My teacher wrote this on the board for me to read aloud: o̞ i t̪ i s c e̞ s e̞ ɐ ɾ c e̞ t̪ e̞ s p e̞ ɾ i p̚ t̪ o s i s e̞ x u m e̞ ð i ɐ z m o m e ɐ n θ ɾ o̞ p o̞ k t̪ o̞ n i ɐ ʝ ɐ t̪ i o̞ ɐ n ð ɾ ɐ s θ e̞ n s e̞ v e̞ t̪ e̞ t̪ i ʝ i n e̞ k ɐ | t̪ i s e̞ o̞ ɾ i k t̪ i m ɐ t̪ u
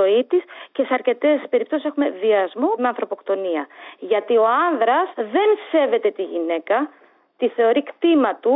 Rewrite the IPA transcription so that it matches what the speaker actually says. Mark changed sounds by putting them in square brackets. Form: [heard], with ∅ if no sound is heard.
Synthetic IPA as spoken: o̞ i t̪ i s c e̞ s e̞ ɐ ɾ c e̞ t̪ e̞ s p e̞ ɾ i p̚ t̪ o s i s e̞ x u m e̞ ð i ɐ z m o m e ɐ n θ ɾ o̞ p o̞ k t̪ o̞ n i ɐ ʝ ɐ t̪ i o̞ ɐ n ð ɾ ɐ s [ð] e̞ n s e̞ v e̞ t̪ e̞ t̪ i ʝ i n e̞ k ɐ | t̪ i [θ] e̞ o̞ ɾ i k t̪ i m ɐ t̪ u